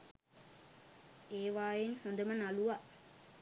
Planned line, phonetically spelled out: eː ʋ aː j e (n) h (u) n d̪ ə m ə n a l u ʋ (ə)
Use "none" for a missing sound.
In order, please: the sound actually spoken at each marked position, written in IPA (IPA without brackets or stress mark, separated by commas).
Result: n, o, a